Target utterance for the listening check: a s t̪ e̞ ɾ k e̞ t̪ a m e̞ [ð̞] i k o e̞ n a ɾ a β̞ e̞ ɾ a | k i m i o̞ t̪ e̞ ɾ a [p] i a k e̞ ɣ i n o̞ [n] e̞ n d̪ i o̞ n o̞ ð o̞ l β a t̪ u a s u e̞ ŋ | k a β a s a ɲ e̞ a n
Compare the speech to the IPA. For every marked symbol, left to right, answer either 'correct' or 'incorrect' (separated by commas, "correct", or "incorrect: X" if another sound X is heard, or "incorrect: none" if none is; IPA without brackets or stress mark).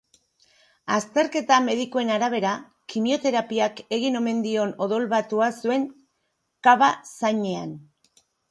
correct, correct, incorrect: m